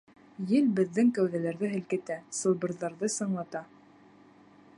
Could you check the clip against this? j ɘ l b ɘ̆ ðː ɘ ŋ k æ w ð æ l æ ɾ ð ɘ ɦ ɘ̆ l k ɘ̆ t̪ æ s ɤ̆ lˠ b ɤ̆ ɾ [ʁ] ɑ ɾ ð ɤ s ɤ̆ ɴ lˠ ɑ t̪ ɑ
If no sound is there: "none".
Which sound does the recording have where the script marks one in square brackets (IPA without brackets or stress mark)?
ð